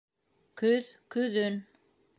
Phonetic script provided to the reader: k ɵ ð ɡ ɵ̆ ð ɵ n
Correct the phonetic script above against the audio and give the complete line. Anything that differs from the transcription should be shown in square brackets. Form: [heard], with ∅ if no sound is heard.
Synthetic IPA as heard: k ɵ ð [k] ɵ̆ ð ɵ n